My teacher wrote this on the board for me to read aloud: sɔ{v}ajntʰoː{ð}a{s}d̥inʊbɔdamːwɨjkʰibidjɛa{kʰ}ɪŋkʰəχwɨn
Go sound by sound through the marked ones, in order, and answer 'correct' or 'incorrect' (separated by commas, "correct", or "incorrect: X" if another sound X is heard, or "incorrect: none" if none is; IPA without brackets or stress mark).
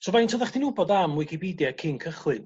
correct, correct, incorrect: χ, correct